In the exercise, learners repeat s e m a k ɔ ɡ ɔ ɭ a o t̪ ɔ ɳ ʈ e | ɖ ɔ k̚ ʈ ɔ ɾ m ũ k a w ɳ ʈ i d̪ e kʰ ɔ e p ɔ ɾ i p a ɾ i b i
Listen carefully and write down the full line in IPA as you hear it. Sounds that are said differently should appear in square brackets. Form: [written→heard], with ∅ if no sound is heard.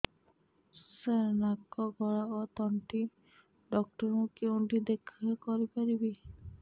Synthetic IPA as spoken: s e [m→n] a k ɔ ɡ ɔ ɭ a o t̪ ɔ ɳ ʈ [e→i] | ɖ ɔ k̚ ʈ ɔ ɾ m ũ k [a→e] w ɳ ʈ i d̪ e kʰ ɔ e [p→k] ɔ ɾ i p a ɾ i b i

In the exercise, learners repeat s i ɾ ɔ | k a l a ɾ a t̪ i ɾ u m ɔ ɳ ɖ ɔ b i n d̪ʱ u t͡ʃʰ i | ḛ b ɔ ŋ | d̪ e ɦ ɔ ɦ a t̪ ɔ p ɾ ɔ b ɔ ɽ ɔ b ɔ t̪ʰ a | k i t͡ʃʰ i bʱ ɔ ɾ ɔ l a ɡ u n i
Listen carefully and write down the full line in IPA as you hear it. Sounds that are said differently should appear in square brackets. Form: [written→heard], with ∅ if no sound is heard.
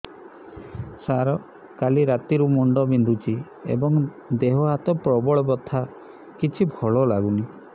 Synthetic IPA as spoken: s [i→a] ɾ ɔ | k a l [a→i] ɾ a t̪ i ɾ u m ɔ ɳ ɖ ɔ b i n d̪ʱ u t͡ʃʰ i | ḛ b ɔ ŋ | d̪ e ɦ ɔ ɦ a t̪ ɔ p ɾ ɔ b ɔ [ɽ→ɭ] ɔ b ɔ t̪ʰ a | k i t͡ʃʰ i bʱ ɔ [ɾ→ɭ] ɔ l a ɡ u n i

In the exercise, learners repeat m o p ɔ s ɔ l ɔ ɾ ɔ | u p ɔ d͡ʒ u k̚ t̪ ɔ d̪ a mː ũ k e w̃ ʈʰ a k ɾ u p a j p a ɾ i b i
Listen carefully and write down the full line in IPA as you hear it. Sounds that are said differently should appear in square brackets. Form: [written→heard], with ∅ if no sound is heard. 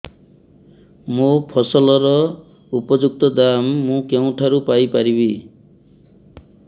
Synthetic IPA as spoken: m o [p→pʰ] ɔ s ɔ l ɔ ɾ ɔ | u p ɔ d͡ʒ u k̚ t̪ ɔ d̪ a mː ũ k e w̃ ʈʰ a [k→∅] ɾ u p a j p a ɾ i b i

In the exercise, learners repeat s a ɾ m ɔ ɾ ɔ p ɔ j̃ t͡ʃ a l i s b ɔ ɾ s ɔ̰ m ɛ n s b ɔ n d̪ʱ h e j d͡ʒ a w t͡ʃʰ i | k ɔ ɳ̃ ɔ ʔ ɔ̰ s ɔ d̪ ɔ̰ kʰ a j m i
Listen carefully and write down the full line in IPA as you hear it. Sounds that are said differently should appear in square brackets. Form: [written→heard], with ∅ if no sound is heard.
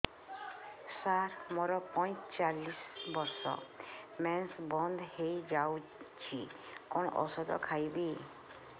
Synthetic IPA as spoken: s a ɾ m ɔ ɾ ɔ p ɔ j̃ t͡ʃ a l i s b ɔ ɾ s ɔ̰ m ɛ n s b ɔ n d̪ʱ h e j d͡ʒ a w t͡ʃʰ i | k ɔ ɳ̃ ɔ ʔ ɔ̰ s ɔ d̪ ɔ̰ kʰ a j [m→b] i

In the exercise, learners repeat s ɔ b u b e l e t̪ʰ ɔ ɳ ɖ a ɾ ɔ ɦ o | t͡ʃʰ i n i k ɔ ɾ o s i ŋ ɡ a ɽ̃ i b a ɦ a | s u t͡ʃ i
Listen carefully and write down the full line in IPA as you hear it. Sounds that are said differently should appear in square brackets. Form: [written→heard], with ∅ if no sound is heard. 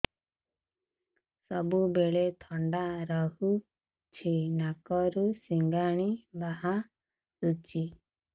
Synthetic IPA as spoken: s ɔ b u b e [l→ɭ] e t̪ʰ ɔ ɳ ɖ a ɾ ɔ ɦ [o→u] | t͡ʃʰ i n [i→a] k ɔ ɾ [o→u] s i ŋ ɡ a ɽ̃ i b a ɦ a | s u t͡ʃ i

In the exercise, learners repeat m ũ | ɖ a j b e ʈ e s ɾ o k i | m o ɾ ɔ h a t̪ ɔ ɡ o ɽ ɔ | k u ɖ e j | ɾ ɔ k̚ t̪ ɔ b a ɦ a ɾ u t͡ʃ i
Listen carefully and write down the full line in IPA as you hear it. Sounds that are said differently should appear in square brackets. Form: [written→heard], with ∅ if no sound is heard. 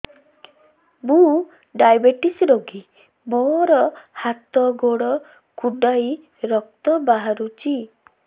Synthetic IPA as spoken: m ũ | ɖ a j b e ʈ [e→i] s ɾ o [k→ɡ] i | m o ɾ ɔ h a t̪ ɔ ɡ o ɽ ɔ | k u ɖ [e→a] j | ɾ ɔ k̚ t̪ ɔ b a ɦ a ɾ u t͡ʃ i

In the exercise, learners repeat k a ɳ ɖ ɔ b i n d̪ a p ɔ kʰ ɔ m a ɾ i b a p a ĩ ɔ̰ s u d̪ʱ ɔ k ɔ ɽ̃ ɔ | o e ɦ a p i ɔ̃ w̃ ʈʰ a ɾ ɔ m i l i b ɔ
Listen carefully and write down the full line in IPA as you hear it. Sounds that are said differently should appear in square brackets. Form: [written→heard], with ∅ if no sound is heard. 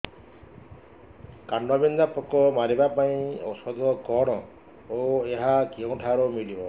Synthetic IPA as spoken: k a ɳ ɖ ɔ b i n d̪ a p ɔ [kʰ→k] ɔ m a ɾ i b a p a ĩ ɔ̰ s [u→ɔ] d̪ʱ ɔ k ɔ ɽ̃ ɔ | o e ɦ a [p→k] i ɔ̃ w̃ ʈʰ a ɾ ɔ m i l i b ɔ

